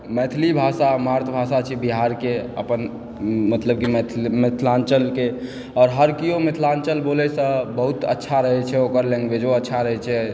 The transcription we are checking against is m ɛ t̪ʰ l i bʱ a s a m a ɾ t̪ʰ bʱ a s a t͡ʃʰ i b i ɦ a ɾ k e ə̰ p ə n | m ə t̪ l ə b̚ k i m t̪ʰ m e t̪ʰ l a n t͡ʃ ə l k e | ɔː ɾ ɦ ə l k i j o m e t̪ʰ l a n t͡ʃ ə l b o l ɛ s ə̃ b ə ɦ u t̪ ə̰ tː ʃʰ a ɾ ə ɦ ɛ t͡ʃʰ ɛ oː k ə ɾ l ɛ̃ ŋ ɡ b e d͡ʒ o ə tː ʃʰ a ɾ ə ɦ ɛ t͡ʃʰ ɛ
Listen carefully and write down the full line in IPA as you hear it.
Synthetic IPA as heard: m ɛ t̪ʰ l i bʱ a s a m a ɾ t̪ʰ bʱ a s a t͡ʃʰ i b i ɦ a ɾ k e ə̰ p ə n | m ə t̪ l ə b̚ k i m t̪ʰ m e t̪ʰ l a n t͡ʃ ə l k e | ɔː ɾ ɦ ə ɾ k i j o m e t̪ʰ l a n t͡ʃ ə l b o l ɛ s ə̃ b ə ɦ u t̪ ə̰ tː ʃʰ a ɾ ə ɦ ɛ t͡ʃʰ ɛ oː k ə ɾ l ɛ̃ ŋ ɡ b e d͡ʒ o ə tː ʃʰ a ɾ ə ɦ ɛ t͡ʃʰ ɛ